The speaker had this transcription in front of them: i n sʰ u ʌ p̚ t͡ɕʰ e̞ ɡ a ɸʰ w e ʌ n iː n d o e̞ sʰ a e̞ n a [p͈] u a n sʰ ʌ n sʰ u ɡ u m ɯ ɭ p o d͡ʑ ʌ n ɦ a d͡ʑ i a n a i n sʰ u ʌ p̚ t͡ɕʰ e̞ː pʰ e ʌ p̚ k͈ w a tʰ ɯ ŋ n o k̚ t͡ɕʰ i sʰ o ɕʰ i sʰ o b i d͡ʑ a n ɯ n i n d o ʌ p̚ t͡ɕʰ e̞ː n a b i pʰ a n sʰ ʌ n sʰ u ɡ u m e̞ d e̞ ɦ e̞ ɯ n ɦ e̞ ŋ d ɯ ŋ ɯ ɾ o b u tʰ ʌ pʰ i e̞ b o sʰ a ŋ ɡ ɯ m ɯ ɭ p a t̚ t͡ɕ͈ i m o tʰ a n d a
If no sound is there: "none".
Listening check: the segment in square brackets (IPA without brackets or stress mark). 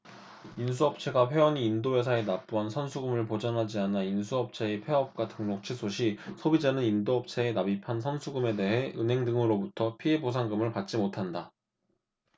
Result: p͈